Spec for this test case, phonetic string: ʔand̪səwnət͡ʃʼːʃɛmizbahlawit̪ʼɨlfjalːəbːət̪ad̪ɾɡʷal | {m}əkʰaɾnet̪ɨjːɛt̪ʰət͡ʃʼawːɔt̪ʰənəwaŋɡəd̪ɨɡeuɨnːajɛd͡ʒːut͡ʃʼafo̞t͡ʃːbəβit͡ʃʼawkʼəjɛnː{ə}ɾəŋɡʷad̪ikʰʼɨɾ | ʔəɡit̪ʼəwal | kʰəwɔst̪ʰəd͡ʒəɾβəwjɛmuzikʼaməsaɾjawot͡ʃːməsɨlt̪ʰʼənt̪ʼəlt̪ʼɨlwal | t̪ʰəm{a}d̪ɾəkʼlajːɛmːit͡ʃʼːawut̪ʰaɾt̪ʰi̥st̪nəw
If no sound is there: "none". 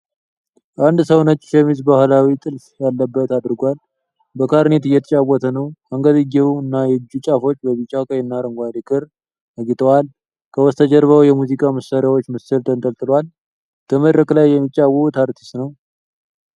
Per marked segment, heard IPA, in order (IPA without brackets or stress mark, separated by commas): b, a, ə